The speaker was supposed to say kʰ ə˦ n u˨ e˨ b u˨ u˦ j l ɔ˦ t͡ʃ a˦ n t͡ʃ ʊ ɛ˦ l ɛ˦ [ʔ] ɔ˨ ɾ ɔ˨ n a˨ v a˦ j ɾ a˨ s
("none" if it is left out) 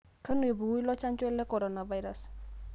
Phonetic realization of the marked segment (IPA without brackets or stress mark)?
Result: k